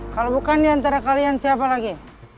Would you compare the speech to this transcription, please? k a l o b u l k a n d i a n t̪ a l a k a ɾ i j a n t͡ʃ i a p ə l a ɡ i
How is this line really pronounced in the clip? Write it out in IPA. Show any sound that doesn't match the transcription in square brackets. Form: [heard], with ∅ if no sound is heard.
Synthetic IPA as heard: k a l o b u [∅] k a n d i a n t̪ a [ɾ] a k a [l] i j a n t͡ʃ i a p [a] l a ɡ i